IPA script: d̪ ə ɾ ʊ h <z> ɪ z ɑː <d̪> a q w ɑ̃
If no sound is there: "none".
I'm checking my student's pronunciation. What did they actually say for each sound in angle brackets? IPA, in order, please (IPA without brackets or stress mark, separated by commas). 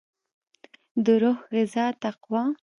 ɣ, t̪